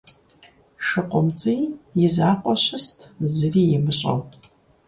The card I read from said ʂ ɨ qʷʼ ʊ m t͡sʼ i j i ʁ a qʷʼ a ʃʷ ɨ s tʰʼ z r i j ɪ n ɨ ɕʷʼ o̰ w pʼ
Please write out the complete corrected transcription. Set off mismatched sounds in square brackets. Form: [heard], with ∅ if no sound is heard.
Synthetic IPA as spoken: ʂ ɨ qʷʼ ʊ m t͡sʼ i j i [z] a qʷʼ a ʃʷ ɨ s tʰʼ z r i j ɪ [m] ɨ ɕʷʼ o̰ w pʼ